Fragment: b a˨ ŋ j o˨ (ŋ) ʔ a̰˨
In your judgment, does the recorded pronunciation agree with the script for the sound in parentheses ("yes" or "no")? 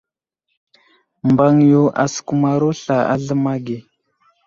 no